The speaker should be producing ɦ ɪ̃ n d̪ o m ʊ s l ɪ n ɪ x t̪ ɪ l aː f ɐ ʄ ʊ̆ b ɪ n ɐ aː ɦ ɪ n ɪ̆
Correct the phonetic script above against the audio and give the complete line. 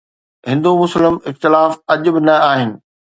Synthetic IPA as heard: ɦ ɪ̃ n d̪ o m ʊ s l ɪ m ɪ x t̪ ɪ l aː f ɐ ʄ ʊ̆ b ɪ n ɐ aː ɦ ɪ n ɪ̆